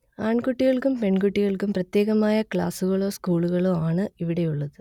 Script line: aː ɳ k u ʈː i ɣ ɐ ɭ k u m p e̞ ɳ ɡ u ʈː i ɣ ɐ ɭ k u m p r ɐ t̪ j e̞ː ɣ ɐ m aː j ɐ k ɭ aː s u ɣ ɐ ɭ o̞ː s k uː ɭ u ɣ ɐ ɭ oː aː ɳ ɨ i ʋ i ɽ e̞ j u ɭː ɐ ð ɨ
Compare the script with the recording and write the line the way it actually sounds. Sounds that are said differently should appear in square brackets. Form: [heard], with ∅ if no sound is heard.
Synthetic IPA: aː ɳ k u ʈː i ɣ ɐ ɭ k u m p e̞ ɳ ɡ u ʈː i ɣ ɐ ɭ k u m p r ɐ t̪ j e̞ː ɣ ɐ m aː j ɐ k ɭ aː s u ɣ ɐ ɭ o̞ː s k uː ɭ u ɣ ɐ ɭ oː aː ɳ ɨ i ʋ i ɽ e̞ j u ɭː ɐ ð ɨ